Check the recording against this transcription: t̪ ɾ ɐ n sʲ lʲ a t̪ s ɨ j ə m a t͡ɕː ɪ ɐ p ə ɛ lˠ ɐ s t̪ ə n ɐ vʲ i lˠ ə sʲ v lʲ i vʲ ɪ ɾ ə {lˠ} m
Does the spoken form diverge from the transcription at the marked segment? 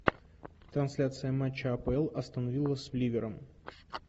yes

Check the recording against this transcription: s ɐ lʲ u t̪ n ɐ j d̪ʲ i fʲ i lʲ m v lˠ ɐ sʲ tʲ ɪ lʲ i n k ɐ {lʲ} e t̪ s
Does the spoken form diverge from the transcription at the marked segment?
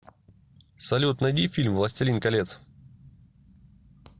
no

